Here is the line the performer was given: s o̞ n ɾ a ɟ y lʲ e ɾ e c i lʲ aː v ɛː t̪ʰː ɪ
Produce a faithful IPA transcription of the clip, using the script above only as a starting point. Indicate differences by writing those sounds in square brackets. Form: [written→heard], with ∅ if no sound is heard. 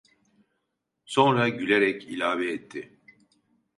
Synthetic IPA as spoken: s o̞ n ɾ a ɟ y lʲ e ɾ [e→ɛ] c i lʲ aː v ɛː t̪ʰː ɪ